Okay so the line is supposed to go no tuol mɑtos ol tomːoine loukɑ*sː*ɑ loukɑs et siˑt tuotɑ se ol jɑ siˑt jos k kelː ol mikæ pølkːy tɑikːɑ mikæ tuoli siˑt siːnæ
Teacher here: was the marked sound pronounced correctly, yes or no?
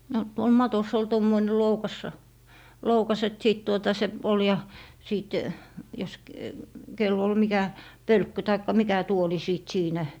yes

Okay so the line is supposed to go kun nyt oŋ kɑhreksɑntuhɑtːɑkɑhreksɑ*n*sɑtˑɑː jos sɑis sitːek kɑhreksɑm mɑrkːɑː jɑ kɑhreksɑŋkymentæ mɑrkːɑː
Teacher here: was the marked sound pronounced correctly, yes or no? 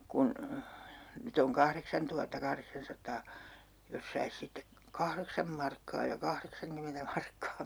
yes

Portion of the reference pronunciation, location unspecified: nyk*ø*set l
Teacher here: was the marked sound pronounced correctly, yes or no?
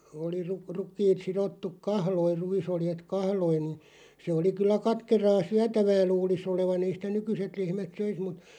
no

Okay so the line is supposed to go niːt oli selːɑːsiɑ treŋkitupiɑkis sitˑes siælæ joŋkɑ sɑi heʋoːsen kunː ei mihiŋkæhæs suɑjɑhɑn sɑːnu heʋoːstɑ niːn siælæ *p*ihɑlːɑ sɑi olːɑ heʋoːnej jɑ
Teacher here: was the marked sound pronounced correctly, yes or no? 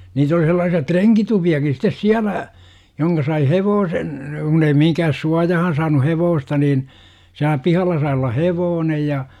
yes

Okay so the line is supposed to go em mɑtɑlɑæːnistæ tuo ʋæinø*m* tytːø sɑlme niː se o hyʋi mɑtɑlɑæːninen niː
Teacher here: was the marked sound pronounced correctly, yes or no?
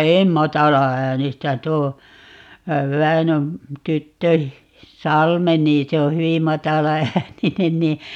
yes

